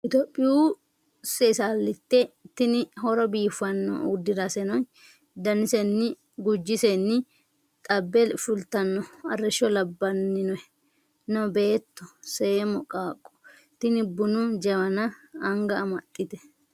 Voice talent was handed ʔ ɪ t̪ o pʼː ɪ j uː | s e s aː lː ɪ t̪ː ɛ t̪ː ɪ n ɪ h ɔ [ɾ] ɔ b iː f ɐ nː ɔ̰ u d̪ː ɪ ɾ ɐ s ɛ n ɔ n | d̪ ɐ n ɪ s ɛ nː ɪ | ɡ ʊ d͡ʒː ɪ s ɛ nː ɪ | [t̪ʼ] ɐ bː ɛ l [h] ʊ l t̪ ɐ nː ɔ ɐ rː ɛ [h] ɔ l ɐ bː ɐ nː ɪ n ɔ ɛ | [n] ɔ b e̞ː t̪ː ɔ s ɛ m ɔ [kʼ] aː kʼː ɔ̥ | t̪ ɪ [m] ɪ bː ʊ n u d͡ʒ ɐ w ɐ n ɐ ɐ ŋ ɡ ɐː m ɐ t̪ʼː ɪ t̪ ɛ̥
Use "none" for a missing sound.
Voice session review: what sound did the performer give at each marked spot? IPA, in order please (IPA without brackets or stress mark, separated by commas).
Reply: ɾ, t̪ʼ, f, ʃ, n, kʼ, n